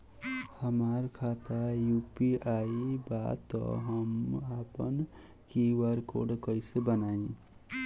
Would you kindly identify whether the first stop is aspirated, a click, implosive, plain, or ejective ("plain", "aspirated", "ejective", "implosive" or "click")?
aspirated